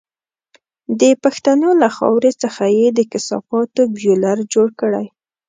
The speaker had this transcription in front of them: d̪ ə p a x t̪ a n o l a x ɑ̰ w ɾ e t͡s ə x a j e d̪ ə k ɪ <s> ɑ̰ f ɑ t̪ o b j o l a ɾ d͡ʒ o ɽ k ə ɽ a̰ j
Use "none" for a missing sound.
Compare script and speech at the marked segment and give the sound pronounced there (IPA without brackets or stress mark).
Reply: s